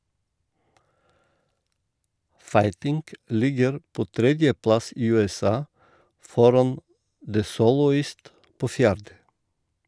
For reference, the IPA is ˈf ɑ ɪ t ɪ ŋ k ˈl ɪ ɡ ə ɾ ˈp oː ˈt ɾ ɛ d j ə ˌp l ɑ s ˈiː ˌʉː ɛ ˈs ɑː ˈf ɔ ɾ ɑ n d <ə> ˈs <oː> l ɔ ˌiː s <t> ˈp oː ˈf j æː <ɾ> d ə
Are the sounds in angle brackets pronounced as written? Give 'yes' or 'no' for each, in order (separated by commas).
yes, yes, yes, yes